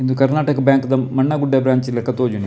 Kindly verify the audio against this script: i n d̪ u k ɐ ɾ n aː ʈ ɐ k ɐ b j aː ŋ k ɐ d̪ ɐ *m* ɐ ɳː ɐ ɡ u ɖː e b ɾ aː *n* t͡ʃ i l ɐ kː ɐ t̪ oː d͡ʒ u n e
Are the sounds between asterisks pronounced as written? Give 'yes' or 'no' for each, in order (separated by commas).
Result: yes, no